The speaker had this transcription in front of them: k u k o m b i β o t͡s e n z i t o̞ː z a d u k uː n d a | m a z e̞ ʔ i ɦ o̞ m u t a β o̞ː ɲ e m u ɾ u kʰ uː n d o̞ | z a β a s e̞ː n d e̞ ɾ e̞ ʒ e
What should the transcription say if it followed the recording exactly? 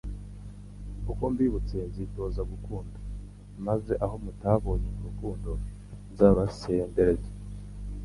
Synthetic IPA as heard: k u k o m b i β u t͡s e n z i t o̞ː z a ɡ u k uː n d a | m a z e̞ ʔ a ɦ o̞ m u t a β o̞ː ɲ e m u ɾ u k uː n d o̞ | z a β a s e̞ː n d e̞ ɾ e̞ z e

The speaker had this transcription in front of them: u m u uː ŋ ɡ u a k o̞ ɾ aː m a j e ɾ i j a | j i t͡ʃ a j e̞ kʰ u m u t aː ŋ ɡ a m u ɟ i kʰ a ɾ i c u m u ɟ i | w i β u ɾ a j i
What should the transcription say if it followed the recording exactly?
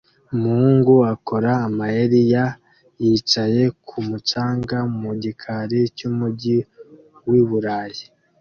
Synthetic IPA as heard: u m u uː ŋ ɡ u a k o̞ ɾ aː m a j e ɾ i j a | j i t͡ʃ a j e̞ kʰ u m u t͡ʃ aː ŋ ɡ a m u ɟ i kʰ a ɾ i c u m u ɟ i | w i β u ɾ a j i

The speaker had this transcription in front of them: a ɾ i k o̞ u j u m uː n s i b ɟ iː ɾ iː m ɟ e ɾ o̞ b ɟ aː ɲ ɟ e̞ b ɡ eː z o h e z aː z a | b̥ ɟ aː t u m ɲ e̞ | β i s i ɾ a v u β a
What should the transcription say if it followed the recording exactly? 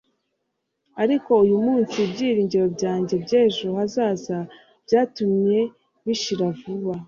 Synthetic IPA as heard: a ɾ i k o̞ u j u m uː n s i b ɟ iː ɾ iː ɲ ɟ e ɾ o̞ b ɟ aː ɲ ɟ e̞ b ɟ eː ʒ o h a z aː z a | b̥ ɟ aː t u m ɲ e̞ | β i ʃ i ɾ a v u β a

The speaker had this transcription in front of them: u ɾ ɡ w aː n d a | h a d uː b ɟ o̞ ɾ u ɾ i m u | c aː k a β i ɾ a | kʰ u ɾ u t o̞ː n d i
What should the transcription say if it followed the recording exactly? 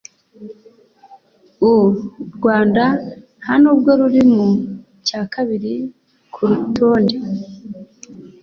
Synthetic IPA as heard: u ɾ ɡ w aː n d a | h a n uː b ɡ o̞ ɾ u ɾ i m u | c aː k a β i ɾ i | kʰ u ɾ u t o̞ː n d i

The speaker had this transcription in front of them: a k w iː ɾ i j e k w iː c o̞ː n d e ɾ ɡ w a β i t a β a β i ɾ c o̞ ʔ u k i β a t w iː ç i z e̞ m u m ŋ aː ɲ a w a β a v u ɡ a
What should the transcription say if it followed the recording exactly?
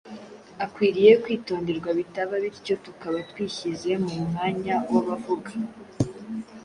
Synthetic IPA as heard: a k w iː ɾ i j e k w iː t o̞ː n d e ɾ ɡ w a β i t a β a β i ɾ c o̞ t u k a β a t w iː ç i z e̞ m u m ŋ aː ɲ a w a β a v u ɡ a

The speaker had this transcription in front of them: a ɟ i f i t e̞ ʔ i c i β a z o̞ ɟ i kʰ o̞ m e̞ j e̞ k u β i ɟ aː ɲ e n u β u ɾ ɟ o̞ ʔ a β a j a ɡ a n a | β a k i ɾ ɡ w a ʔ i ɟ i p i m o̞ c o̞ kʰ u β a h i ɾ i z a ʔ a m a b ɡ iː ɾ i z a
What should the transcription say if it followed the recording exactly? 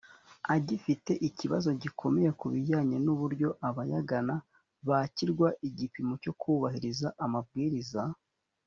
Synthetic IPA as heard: a ɟ i f i t e̞ ʔ i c i β a z o̞ ɟ i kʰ o̞ m e̞ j e̞ k u β i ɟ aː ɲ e n u β u ɾ ɟ o̞ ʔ a β a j a ɡ a n a | β a c i ɾ ɡ w a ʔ i ɟ i p i m o̞ c o̞ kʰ u β a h i ɾ i z a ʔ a m a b ɡ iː ɾ i z a

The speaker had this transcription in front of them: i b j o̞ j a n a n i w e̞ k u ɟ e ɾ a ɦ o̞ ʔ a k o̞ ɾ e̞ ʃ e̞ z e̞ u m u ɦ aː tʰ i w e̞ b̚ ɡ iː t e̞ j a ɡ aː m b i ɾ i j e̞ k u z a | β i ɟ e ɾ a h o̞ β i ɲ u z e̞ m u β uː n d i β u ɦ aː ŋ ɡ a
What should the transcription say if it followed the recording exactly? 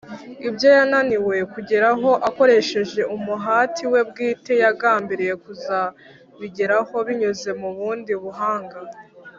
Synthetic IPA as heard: i b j o̞ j a n a n i w e̞ k u ɟ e ɾ a ɦ o̞ ʔ a k o̞ ɾ e̞ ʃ e̞ ʒ e̞ u m u ɦ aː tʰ i w e̞ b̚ ɡ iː t e̞ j a ɡ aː m b i ɾ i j e̞ k u z a | β i ɟ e ɾ a h o̞ β i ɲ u z e̞ m u β uː n d i β u ɦ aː ŋ ɡ a

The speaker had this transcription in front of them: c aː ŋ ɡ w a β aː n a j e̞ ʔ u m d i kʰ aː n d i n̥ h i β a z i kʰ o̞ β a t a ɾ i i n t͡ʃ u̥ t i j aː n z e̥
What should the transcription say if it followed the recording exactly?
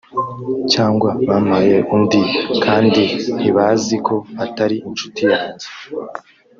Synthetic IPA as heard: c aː ŋ ɡ w a β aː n a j e̞ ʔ u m d i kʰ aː n d i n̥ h i β a z i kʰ o̞ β a t a ɾ i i n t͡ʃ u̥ t i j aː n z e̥

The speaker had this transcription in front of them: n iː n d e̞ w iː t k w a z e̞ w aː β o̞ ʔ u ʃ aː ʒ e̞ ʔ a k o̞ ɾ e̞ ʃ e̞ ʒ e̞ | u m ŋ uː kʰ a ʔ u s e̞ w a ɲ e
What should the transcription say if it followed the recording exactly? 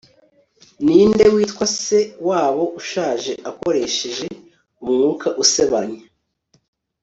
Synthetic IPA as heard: n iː n d e̞ w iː t k w a s e̞ w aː β o̞ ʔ u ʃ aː ʒ e̞ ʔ a k o̞ ɾ e̞ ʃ e̞ ʒ e̞ | u m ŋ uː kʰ a ʔ u s e̞ β a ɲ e

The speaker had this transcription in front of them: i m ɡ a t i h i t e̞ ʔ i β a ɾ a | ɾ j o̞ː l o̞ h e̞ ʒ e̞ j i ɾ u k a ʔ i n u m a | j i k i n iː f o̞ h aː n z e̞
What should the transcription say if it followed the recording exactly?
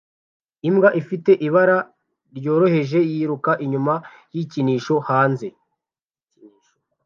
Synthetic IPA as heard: i m ɡ a ʔ i f i t e̞ ʔ i β a ɾ a | ɾ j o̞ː ɾ o̞ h e̞ ʒ e̞ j i ɾ u k a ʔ i ɲ u m a | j i c i n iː ʃ o̞ h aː n z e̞

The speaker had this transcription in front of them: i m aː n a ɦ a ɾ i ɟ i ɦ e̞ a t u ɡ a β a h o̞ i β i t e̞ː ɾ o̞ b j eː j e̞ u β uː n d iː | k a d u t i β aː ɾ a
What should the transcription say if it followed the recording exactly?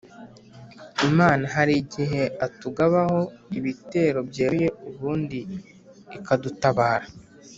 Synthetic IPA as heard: i m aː n a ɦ a ɾ i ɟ i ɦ e̞ a t u ɡ a β a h o̞ i β i t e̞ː ɾ o̞ b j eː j e̞ u β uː n d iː | k a d u t a β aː ɾ a

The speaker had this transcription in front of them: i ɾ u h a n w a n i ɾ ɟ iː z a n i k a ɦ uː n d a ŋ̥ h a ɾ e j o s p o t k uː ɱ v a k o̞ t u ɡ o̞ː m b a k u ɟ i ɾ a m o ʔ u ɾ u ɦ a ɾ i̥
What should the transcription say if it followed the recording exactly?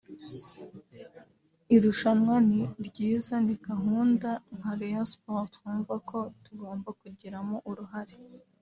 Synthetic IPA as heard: i ɾ u ʃ a n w a n i ɾ ɟ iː z a n i ɡ a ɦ uː n d a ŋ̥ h a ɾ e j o s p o t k uː ɱ v a k o̞ t u ɡ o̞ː m b a k u ɟ i ɾ a m o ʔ u ɾ u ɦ a ɾ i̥

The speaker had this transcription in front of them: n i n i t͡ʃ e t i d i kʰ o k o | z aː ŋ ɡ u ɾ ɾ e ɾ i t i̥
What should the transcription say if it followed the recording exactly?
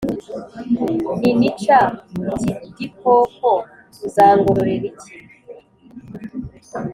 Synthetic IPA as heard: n i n i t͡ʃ a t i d i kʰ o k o | z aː ŋ ɡ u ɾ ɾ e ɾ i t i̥

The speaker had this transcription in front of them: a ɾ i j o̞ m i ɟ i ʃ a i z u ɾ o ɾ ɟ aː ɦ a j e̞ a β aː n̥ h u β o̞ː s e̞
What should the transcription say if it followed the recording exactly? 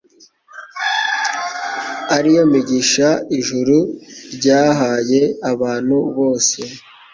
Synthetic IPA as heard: a ɾ i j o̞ m i ɟ i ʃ a i ʒ u ɾ u ɾ ɟ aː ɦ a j e̞ a β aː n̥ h u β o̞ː s e̞

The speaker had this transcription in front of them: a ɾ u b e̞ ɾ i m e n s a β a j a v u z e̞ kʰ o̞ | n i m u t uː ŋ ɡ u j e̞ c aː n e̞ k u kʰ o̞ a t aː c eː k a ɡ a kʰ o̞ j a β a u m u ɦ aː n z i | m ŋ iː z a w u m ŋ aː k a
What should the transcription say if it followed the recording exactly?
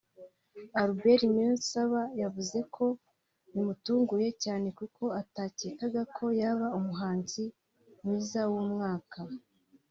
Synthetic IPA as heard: a ɾ u b e̞ ɾ i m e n s a β a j a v u z e̞ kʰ o̞ | n i m u t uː ŋ ɡ u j e̞ c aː n e̞ k u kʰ o̞ a t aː c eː k a ɡ a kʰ o̞ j a β a u m u ɦ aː n z i | m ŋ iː z a w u m ŋ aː k a

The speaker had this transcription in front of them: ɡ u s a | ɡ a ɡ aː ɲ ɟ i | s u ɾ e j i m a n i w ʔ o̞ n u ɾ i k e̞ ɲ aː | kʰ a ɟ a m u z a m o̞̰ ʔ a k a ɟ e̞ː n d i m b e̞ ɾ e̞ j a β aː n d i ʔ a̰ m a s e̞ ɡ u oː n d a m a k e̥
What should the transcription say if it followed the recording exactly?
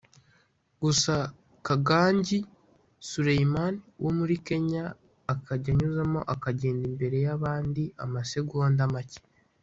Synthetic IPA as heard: ɡ u s a | k a ɡ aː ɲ ɟ i | s u ɾ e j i m a n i w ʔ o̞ m u ɾ i k e̞ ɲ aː | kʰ a ɟ a ɲ u z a m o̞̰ ʔ a k a ɟ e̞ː n d i m b e̞ ɾ e̞ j a β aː n d i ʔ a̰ m a s e̞ ɡ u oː n d a m a c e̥

